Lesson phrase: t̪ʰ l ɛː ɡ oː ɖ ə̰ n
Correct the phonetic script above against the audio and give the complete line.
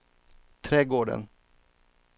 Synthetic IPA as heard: t̪ʰ ɾ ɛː ɡ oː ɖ ə̰ n